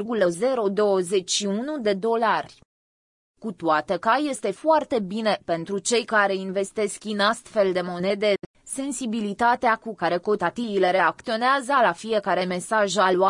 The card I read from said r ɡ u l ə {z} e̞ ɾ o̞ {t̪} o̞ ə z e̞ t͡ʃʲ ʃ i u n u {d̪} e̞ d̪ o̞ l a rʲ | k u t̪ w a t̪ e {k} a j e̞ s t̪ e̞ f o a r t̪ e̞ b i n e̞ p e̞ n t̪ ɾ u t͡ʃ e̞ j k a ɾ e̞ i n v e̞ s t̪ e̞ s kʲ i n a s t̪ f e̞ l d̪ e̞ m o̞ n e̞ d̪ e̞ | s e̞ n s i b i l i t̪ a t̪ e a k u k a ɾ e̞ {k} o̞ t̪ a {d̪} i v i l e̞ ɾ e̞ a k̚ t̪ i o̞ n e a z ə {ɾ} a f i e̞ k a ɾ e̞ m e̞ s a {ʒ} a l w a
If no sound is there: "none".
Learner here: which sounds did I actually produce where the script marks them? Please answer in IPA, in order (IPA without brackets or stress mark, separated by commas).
z, d̪, d̪, k, k, t̪, l, ʒ